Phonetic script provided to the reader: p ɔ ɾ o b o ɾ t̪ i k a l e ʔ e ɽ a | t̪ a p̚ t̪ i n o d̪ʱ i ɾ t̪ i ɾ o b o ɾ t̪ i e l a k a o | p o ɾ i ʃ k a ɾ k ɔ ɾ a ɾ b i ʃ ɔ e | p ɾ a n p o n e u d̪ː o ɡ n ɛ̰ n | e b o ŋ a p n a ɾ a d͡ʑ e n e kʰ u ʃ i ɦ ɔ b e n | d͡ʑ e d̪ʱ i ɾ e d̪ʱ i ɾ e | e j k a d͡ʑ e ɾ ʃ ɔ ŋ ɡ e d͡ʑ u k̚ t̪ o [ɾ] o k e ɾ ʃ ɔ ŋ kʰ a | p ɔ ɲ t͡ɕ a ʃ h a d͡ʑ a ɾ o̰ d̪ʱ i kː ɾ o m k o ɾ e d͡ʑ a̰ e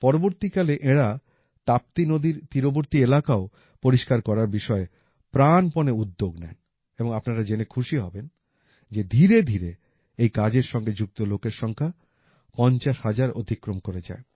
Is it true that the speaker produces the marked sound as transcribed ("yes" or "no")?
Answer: no